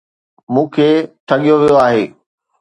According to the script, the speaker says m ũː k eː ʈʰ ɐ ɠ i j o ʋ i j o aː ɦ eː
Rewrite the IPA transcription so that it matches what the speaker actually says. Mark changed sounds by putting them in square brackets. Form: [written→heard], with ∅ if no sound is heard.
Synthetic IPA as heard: m ũː [k→kʰ] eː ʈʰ ɐ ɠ i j o ʋ i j o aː ɦ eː